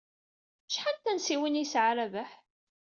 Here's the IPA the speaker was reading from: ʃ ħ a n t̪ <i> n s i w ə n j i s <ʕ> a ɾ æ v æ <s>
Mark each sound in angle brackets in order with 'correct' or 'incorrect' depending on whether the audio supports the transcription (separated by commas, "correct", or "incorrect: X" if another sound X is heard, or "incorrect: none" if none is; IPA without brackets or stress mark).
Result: incorrect: æ, correct, incorrect: ħ